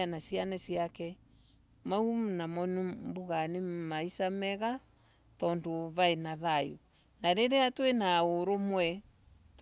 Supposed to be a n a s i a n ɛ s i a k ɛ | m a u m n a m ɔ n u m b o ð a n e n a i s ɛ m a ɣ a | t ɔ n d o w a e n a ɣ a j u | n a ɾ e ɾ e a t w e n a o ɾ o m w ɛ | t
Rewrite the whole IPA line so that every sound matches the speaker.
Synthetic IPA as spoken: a n a s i a n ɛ s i a k ɛ | m a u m n a m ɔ n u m b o ɣ a n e m a i s a m ɛ ɣ a | t ɔ n d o β a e n a ð a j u | n a ɾ e ɾ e a t w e n a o ɾ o m w ɛ | t